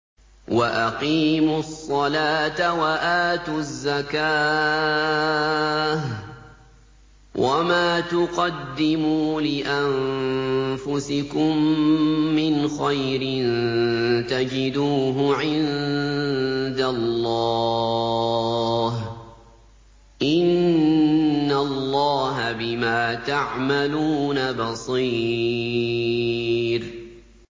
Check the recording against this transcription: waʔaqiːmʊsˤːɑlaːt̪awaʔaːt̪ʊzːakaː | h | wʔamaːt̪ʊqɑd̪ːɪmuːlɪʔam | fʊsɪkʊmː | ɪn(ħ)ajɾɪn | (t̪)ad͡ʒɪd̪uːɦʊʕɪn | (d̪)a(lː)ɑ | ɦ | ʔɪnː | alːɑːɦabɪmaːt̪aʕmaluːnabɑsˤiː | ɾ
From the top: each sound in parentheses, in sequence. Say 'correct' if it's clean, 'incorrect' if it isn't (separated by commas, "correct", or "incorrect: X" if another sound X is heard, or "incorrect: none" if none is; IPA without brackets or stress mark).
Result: incorrect: x, correct, correct, correct